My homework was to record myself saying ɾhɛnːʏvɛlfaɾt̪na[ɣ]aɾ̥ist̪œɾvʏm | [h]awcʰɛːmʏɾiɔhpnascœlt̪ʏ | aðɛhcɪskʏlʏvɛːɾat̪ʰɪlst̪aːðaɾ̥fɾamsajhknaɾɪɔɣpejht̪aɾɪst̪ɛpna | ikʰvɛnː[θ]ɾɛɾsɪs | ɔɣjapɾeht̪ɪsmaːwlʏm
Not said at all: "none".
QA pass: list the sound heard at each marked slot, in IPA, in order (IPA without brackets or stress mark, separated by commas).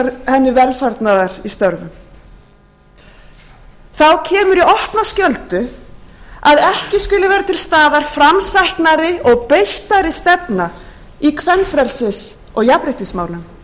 ð, θ, f